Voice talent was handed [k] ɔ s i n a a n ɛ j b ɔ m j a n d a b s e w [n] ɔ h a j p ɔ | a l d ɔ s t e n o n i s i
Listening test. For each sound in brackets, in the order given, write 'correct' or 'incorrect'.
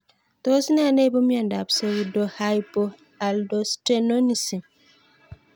incorrect: t, incorrect: d

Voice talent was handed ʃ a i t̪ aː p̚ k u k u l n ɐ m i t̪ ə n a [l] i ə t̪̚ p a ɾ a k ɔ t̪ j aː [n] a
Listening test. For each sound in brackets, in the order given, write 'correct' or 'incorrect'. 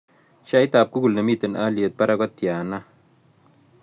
correct, correct

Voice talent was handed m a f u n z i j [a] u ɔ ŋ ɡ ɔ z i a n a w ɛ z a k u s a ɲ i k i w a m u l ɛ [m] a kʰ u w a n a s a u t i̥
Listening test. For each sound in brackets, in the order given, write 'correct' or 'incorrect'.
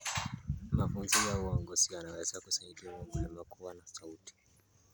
correct, correct

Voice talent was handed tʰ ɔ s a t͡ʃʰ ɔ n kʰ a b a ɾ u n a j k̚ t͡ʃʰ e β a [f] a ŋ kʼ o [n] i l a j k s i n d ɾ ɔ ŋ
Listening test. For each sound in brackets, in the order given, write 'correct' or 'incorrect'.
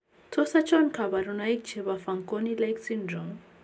correct, correct

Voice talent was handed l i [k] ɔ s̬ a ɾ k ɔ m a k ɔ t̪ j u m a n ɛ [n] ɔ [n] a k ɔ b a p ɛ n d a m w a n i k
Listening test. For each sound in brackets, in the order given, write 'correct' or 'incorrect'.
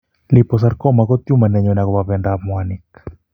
incorrect: p, incorrect: ɲ, correct

